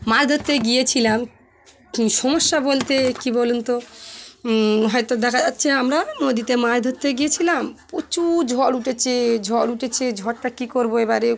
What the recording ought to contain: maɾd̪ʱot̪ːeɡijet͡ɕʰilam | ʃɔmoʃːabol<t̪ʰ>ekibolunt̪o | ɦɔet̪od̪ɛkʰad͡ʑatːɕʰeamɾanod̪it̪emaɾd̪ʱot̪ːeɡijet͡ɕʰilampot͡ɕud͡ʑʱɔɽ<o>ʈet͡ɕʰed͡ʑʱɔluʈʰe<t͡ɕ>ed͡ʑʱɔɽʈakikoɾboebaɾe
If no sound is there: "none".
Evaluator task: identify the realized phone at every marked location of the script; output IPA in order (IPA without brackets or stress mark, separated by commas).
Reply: t̪, u, t͡ɕʰ